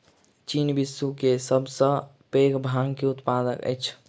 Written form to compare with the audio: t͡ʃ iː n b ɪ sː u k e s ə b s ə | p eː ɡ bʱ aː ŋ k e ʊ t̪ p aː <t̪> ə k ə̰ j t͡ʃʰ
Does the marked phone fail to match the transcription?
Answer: yes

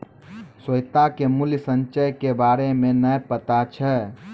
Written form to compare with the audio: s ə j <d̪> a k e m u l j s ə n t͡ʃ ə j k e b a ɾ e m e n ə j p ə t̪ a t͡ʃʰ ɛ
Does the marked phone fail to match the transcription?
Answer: yes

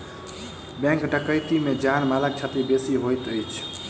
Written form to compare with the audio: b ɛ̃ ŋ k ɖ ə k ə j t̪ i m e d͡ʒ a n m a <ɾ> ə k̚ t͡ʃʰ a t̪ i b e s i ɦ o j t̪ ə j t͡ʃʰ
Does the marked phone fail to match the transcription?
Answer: yes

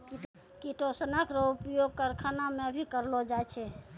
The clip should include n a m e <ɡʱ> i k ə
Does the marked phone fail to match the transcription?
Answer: yes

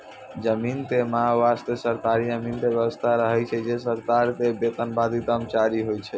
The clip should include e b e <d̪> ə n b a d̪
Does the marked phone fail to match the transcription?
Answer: yes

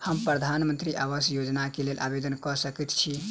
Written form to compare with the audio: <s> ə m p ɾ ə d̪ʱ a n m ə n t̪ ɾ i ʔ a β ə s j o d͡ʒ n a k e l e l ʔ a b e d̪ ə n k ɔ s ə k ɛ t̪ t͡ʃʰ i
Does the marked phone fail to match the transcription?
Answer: yes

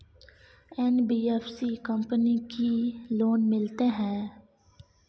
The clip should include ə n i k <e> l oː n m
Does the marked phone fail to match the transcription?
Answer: yes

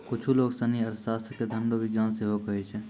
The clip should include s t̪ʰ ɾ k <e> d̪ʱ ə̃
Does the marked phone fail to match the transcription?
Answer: no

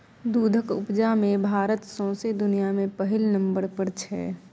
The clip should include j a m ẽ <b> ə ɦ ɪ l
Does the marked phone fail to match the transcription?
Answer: yes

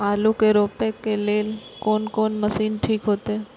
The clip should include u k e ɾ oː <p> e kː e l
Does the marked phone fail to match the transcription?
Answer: no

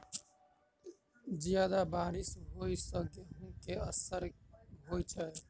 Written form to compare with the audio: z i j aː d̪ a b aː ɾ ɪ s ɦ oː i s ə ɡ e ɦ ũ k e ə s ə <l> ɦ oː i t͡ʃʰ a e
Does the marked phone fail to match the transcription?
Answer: yes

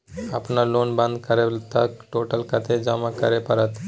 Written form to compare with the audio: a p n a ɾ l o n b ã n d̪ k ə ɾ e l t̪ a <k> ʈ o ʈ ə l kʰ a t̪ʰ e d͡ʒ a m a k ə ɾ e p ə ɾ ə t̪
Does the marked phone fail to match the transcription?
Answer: no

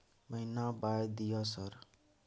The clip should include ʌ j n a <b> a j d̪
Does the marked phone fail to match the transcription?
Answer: no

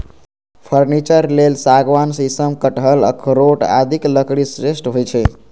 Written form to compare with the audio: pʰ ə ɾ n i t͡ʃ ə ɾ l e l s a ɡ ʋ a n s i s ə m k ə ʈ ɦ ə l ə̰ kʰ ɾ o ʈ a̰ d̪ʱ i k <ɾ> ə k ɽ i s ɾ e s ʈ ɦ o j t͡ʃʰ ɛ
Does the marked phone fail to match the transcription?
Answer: yes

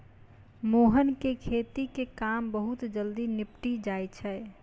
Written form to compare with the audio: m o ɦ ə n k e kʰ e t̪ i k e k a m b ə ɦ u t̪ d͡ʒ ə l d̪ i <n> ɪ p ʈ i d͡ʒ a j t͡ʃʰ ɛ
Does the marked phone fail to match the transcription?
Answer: no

